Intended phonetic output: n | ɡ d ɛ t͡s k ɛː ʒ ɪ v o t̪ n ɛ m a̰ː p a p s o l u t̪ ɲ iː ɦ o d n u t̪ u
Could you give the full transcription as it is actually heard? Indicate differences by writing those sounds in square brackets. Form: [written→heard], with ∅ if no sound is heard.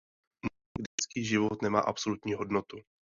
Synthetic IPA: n | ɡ d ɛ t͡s k [ɛː→iː] ʒ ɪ v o t̪ n ɛ m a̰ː [p→ʔ] a p s o l u t̪ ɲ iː ɦ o d n [u→o] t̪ u